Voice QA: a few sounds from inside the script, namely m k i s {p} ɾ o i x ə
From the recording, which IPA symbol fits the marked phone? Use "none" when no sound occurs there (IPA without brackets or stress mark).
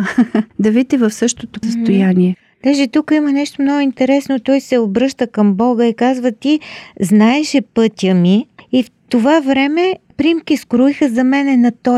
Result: k